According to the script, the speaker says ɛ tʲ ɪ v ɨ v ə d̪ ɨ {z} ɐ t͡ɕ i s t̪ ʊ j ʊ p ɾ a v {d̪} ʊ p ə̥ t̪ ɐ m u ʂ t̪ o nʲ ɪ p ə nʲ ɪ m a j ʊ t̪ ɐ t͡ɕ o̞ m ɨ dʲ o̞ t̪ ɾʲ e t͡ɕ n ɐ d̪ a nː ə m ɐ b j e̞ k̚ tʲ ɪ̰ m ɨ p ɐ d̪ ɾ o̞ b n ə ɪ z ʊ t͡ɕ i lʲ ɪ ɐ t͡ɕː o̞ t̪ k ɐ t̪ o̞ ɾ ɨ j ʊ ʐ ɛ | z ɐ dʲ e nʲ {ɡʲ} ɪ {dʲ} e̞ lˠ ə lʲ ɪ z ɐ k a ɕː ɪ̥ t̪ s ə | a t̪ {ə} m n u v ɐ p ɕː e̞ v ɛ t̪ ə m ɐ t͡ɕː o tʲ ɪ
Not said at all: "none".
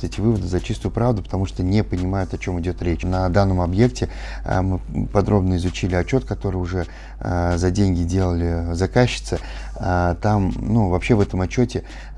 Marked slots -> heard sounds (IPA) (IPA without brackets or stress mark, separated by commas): z, d̪, ɡʲ, dʲ, a